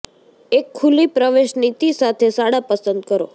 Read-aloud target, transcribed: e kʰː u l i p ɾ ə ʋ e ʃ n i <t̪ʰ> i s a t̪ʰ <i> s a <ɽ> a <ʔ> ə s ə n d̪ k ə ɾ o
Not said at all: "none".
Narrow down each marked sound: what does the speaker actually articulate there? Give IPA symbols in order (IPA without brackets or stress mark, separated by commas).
t̪, e, ɽ, p